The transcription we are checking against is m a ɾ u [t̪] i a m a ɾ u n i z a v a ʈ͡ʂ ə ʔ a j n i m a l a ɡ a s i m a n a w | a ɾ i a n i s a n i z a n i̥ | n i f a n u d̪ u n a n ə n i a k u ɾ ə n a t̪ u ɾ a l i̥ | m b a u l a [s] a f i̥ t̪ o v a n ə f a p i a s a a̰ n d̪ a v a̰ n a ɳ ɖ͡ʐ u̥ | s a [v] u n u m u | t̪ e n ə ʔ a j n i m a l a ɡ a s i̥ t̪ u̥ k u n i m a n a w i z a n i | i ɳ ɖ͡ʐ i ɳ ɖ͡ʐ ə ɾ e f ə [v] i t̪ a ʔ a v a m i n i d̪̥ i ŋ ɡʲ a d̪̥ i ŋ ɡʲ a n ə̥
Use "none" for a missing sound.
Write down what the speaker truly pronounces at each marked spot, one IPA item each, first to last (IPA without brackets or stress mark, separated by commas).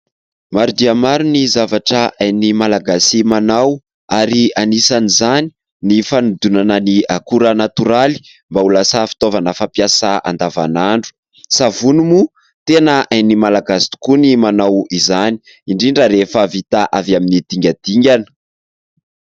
d̪, s, v, v